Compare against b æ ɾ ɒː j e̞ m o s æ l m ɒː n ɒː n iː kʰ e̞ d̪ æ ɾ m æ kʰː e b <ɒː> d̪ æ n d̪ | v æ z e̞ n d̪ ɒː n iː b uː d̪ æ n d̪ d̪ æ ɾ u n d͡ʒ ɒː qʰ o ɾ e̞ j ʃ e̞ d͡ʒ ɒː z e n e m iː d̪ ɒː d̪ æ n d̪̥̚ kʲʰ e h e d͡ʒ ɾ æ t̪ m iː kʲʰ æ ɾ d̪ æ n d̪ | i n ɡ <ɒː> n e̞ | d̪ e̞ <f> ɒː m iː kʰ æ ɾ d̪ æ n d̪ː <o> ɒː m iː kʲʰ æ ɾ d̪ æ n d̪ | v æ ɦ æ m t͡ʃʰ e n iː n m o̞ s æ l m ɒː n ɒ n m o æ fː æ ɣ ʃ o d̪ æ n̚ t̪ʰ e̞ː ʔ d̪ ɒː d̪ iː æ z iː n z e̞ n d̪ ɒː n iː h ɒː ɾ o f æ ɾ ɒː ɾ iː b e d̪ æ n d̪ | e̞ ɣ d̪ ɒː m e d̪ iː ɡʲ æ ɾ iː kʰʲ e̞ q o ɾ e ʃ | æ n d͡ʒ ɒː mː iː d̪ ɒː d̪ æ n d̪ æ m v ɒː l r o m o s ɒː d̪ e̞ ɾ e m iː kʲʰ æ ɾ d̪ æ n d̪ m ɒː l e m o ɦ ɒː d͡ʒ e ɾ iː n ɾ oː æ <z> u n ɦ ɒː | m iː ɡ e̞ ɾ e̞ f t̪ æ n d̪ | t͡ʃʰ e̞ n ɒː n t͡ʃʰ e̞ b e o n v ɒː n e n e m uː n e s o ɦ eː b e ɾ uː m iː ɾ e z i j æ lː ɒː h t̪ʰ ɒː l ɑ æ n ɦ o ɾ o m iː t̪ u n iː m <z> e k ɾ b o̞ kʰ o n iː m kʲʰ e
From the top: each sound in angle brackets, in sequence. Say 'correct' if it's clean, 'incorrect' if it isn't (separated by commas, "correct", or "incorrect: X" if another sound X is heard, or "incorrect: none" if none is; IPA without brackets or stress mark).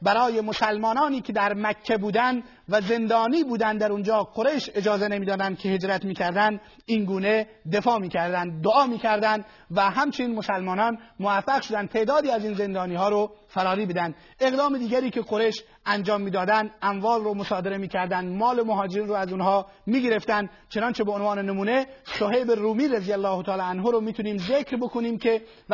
incorrect: uː, incorrect: uː, correct, correct, correct, correct